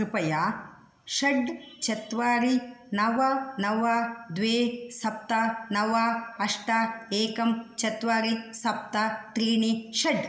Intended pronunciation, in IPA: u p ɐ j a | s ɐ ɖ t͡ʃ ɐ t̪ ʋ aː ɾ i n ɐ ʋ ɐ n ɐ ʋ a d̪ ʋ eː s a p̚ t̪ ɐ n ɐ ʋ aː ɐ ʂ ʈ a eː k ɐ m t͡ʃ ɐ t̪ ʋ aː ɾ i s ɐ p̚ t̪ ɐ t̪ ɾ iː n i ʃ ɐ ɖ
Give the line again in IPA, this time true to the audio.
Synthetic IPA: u p ɐ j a | ʃ ɐ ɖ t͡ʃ ɐ t̪ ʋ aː ɾ i n ɐ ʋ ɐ n ɐ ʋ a d̪ ʋ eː s ɐ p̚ t̪ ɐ n ɐ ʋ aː ɐ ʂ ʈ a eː k ɐ m t͡ʃ ɐ t̪ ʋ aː ɾ i s ɐ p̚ t̪ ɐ t̪ ɾ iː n i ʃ ɐ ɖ